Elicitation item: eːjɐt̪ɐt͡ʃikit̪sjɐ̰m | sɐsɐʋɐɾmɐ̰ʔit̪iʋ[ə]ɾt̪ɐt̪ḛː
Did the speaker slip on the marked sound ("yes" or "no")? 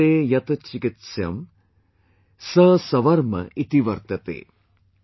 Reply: yes